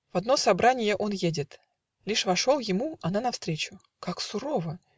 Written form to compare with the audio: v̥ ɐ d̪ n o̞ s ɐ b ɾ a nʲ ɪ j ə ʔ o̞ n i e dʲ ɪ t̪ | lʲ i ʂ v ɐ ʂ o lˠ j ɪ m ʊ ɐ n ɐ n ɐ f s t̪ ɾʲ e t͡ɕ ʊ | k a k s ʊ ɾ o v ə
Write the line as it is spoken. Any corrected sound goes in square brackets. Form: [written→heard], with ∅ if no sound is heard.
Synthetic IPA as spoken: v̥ ɐ d̪ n o̞ s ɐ b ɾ a nʲ ɪ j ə ʔ o̞ n [i→j] e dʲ ɪ t̪ | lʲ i ʂ v ɐ ʂ o lˠ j ɪ m [ʊ→u] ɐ n [ɐ→a] n ɐ f s t̪ ɾʲ e t͡ɕ ʊ | k a k s ʊ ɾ o v ə